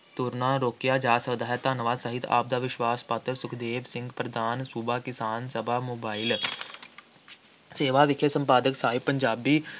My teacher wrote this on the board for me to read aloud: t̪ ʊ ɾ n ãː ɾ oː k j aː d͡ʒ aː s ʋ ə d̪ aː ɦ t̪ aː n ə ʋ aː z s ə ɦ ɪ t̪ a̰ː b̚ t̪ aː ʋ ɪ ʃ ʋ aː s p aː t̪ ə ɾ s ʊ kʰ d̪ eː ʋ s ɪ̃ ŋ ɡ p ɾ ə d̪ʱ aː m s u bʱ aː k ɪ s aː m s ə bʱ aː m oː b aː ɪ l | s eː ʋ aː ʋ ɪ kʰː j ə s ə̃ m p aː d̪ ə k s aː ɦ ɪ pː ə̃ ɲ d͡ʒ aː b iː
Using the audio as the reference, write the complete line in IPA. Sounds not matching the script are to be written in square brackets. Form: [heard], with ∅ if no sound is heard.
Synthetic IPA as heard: t̪ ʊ ɾ n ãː ɾ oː k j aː d͡ʒ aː s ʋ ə d̪ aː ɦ t̪ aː n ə ʋ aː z s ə ɦ ɪ t̪ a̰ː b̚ [d̪] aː ʋ ɪ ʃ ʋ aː s p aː t̪ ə ɾ s ʊ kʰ d̪ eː ʋ s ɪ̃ ŋ ɡ p ɾ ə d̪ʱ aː [n] s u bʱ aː k ɪ s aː [n] s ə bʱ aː m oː b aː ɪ l | s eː ʋ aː ʋ ɪ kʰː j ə s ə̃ m p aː d̪ ə k s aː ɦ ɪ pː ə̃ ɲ d͡ʒ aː b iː